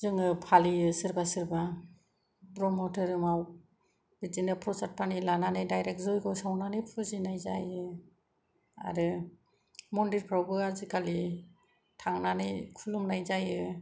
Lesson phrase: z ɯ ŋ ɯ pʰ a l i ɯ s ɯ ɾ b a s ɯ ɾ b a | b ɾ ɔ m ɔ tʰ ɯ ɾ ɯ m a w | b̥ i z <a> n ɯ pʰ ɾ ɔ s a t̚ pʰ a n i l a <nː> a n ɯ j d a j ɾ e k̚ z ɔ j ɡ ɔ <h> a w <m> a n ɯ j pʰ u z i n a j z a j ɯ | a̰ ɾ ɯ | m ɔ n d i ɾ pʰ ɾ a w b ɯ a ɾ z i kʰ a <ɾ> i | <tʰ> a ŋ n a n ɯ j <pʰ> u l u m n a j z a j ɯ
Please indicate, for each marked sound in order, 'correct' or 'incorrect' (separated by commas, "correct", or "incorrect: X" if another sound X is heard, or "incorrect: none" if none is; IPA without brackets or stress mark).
incorrect: i, incorrect: n, incorrect: s, incorrect: n, incorrect: l, correct, incorrect: kʰ